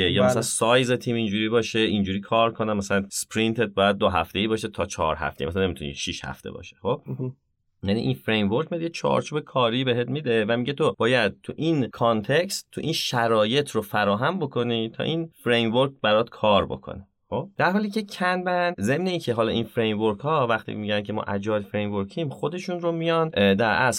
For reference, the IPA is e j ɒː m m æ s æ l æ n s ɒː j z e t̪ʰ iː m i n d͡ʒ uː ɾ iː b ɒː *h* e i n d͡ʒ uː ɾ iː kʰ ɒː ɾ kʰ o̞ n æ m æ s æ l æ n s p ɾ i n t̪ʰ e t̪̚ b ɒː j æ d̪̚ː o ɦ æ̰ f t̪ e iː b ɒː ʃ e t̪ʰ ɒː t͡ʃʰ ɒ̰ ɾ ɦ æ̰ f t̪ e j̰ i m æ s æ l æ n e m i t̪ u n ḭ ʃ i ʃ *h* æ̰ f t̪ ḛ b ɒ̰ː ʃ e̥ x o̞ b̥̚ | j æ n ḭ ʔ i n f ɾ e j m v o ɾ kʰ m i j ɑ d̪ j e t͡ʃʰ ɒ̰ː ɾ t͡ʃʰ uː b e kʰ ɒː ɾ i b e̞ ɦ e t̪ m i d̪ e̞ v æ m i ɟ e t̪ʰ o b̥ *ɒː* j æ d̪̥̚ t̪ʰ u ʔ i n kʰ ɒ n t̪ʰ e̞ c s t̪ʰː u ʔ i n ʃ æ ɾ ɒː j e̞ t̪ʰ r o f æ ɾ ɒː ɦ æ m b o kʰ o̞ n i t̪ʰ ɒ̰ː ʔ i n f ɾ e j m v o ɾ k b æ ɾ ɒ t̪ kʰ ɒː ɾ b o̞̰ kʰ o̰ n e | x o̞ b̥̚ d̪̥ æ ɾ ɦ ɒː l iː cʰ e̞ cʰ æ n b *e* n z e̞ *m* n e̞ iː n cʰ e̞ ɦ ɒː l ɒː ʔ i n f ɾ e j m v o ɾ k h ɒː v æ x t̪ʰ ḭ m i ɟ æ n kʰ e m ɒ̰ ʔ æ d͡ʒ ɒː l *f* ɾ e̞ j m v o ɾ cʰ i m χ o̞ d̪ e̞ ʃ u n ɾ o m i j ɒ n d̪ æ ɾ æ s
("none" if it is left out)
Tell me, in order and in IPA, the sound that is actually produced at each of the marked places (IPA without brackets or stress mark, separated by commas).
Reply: ʃ, h, ɒː, æ, m, f